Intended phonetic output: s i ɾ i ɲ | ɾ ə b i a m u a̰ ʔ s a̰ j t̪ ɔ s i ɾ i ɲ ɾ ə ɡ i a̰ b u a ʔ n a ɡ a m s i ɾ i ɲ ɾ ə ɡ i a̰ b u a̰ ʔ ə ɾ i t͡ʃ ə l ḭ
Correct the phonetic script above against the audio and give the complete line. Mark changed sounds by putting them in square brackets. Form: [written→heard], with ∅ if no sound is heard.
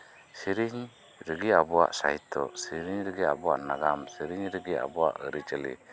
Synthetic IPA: s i ɾ i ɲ | ɾ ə [b→ɡ] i a [m→b] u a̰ ʔ s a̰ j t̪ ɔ s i ɾ i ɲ ɾ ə ɡ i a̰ b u a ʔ n a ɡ a m s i ɾ i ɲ ɾ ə ɡ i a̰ b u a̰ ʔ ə ɾ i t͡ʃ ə l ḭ